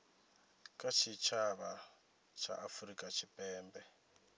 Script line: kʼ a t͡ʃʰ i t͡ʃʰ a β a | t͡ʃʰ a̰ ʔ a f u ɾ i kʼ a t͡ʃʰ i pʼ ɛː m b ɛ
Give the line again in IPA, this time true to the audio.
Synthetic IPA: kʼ a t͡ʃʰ i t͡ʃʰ a β a | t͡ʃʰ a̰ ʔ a f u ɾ i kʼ a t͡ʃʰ i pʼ ɛː m b ɛ